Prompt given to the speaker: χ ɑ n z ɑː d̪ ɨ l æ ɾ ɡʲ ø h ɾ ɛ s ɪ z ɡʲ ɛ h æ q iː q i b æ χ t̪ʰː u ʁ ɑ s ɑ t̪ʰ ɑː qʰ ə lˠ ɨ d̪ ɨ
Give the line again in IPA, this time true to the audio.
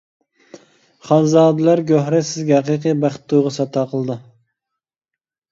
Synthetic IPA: χ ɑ n z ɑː d̪ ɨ l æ ɾ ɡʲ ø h ɾ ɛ s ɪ z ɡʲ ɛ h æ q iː q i b æ χ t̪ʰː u ʁ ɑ s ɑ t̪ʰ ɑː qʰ ə lˠ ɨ d̪ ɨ